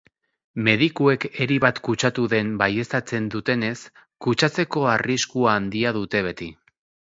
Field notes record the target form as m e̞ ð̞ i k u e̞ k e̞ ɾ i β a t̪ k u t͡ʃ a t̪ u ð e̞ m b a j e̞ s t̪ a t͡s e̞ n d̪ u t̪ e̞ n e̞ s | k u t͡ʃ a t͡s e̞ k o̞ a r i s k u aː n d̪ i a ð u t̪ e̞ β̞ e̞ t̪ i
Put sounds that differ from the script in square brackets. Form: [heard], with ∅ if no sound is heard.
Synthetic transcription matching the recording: m e̞ ð̞ i k u e̞ k e̞ ɾ i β a t̪ k u t͡ʃ a t̪ u ð e̞ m b a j e̞ s t̪ a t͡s e̞ n d̪ u t̪ e̞ n e̞ s | k u t͡ʃ a t͡s e̞ k o̞ a r i s k u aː n d̪ i a ð u t̪ e̞ β̞ e̞ t̪ i